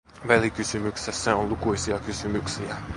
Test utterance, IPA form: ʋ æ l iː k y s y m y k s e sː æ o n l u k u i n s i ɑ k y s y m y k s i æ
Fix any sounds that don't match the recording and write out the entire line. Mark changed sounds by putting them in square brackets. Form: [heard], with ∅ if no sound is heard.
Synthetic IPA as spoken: ʋ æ l [i] k y s y m y k s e sː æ o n l u k u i [∅] s i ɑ k y s y m y k s i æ

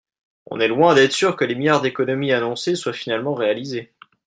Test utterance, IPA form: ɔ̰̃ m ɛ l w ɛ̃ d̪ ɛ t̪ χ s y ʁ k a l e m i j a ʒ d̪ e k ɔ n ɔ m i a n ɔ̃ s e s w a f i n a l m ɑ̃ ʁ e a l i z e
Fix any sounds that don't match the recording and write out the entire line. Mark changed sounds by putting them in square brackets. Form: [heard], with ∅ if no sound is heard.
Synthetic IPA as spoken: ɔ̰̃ [n] ɛ l w ɛ̃ d̪ ɛ t̪ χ s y ʁ k [ə] l e m i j a [ʁ] d̪ e k ɔ n ɔ m i a n ɔ̃ s e s w a f i n a l m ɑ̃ ʁ e a l i z e

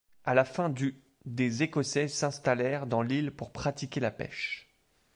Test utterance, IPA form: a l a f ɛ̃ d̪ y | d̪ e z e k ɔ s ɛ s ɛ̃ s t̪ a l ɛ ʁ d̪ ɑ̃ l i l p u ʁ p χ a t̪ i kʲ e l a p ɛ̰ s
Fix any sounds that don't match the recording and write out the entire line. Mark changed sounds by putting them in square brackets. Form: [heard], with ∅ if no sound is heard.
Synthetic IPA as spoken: a l a f ɛ̃ d̪ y | d̪ e z e k ɔ s ɛ s ɛ̃ s t̪ a l ɛ ʁ d̪ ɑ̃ l i l p u ʁ p χ a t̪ i kʲ e l a p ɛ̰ [ʃ]

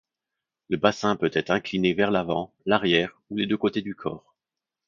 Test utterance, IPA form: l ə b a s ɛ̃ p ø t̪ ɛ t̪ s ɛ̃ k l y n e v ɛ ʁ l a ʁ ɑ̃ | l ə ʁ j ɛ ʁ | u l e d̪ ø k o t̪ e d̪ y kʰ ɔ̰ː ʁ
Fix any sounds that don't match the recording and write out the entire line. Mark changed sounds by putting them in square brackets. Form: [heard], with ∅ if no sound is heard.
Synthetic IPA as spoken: l ə b a s ɛ̃ p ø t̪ ɛ t̪ [χ] ɛ̃ k l [i] n e v ɛ ʁ l a [v] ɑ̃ | l [a] ʁ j ɛ ʁ | u l e d̪ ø k o t̪ e d̪ y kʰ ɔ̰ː ʁ

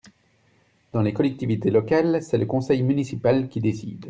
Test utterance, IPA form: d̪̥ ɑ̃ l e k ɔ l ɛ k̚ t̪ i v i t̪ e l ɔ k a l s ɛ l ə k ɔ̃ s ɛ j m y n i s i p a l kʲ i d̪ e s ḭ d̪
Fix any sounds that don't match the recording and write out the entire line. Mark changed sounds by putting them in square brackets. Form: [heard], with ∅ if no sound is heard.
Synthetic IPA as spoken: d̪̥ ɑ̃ l e k ɔ l ɛ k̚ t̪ i v i t̪ e l ɔ k a l s ɛ l ə k ɔ̃ s ɛ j m y n i s i p a l kʲ i d̪ e s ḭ d̪

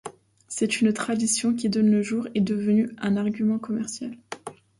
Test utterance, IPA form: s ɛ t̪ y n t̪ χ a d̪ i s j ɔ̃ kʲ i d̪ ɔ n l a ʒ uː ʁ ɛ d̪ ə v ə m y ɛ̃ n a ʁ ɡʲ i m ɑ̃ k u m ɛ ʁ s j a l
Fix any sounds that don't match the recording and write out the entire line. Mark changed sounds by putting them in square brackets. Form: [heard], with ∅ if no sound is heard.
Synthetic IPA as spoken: s ɛ t̪ y n t̪ χ a d̪ i s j ɔ̃ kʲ i d̪ ɔ n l [ə] ʒ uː ʁ ɛ d̪ ə v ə [n] y ɛ̃ n a ʁ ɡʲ [y] m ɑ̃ k [ɔ] m ɛ ʁ s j a l

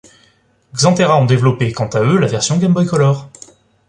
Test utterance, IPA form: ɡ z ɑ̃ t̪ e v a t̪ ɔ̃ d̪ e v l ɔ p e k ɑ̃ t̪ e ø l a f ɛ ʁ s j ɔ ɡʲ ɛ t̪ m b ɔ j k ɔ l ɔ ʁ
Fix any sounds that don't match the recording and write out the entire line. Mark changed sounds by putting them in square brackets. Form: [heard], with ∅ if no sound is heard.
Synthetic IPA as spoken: ɡ z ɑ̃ t̪ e [ʁ] a [∅] ɔ̃ d̪ e v l ɔ p e k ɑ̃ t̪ [a] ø l a [v] ɛ ʁ s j [ɔ̃] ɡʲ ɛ [∅] m b ɔ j k ɔ l ɔ ʁ

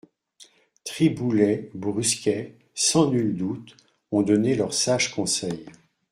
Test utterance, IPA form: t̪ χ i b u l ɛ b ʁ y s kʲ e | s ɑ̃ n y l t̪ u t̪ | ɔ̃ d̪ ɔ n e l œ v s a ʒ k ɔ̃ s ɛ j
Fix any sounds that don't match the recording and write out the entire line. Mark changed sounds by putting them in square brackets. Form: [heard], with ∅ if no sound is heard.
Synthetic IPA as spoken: t̪ χ i b u l ɛ b ʁ y s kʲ [ɛ] | s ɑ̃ n y l [d̪] u t̪ | ɔ̃ d̪ ɔ n e l œ [ʁ] s a ʒ k ɔ̃ s ɛ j

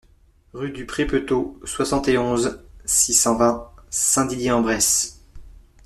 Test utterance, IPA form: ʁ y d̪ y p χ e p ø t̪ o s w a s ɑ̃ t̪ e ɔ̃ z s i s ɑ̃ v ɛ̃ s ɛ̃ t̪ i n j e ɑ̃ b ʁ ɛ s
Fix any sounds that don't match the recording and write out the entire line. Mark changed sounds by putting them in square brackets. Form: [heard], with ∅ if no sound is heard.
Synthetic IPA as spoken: ʁ y d̪ y p χ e p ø t̪ o s w a s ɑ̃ t̪ e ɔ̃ z s i s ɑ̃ v ɛ̃ s ɛ̃ [d̪] i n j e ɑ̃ b ʁ ɛ s

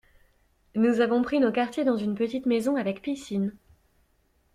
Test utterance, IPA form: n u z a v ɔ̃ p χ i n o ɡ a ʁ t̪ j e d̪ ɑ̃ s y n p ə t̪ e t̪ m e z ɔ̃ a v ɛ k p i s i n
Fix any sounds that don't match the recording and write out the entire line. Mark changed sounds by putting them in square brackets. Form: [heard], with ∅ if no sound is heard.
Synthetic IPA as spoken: n u z a v ɔ̃ p χ i n o [k] a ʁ t̪ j e d̪ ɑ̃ [z] y n p ə t̪ [i] t̪ m e z ɔ̃ a v ɛ k p i s i n

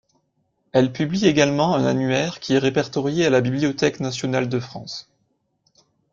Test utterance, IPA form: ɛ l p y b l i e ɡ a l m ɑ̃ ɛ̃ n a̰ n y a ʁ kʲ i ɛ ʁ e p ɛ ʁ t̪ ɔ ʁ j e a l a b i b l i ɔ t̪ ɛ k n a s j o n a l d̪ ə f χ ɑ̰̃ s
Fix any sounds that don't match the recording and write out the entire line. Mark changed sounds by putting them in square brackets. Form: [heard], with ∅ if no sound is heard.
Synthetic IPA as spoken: ɛ l p y b l i e ɡ a l m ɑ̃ ɛ̃ n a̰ n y [ɛ] ʁ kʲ i ɛ ʁ e p ɛ ʁ t̪ ɔ ʁ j e a l a b i b l i ɔ t̪ ɛ k n a s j [ɔ] n a l d̪ ə f χ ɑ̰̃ s

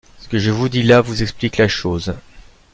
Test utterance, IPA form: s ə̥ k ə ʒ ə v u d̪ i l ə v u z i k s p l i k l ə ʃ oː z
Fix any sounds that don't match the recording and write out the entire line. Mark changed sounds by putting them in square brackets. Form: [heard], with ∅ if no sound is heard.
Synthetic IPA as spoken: s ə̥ k ə ʒ ə v u d̪ i l [a] v u z [ɛ] k s p l i k l [a] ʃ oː z

